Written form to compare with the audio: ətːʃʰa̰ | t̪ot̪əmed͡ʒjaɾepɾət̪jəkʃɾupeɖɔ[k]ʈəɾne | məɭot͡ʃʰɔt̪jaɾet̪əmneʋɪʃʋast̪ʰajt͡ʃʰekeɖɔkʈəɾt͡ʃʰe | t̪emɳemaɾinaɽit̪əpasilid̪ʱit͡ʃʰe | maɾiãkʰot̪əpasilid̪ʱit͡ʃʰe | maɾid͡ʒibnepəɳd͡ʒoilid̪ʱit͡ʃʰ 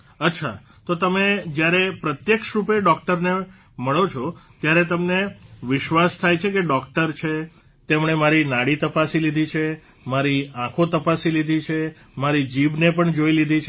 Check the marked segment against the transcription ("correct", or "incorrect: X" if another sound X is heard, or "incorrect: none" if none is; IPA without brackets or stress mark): correct